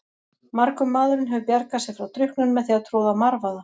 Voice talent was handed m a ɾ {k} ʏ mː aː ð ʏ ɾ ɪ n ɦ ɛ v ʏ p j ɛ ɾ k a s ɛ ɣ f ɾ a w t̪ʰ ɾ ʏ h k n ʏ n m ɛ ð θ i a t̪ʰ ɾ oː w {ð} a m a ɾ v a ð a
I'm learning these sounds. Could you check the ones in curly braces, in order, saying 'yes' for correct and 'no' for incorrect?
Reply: yes, yes

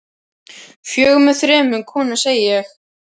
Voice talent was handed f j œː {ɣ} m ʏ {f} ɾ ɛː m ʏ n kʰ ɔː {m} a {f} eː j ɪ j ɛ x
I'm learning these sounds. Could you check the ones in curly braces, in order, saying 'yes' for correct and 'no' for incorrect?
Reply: yes, no, no, no

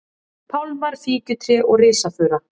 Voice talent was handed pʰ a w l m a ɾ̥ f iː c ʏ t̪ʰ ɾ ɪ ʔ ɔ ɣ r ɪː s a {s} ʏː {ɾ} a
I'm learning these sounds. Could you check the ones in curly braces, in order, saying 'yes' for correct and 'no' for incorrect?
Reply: no, yes

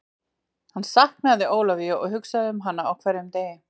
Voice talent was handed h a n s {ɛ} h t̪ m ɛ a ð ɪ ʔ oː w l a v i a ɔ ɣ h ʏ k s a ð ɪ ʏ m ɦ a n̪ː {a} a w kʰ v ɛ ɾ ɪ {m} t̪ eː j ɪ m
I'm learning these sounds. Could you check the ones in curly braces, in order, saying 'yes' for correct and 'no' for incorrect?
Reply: no, yes, yes

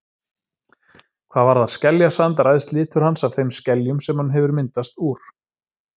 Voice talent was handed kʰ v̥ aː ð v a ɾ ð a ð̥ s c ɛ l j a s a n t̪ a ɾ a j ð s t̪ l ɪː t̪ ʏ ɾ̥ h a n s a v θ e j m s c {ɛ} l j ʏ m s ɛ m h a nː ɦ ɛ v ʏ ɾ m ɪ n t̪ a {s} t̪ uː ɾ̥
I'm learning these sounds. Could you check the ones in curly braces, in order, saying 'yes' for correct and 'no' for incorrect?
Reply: yes, yes

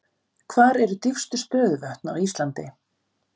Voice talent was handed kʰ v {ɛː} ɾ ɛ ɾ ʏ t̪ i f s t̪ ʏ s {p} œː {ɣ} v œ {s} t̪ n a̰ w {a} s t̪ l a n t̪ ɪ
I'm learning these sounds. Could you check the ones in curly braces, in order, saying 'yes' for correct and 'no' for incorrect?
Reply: no, yes, no, no, no

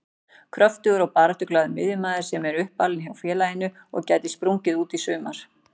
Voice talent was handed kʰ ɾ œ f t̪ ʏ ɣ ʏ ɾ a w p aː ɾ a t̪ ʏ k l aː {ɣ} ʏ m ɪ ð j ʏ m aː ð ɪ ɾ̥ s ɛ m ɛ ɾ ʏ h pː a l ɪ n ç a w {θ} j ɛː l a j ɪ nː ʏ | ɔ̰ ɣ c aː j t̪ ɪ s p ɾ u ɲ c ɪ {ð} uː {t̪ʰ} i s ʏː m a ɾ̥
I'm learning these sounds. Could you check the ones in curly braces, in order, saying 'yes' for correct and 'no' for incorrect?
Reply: no, no, yes, no

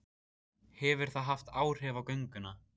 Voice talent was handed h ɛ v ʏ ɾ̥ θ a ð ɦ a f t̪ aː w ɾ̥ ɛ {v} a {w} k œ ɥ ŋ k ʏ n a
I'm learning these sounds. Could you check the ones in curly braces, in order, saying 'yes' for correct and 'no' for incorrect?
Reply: yes, yes

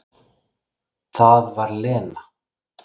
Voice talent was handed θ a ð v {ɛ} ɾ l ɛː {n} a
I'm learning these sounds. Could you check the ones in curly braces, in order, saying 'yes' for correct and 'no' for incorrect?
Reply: no, yes

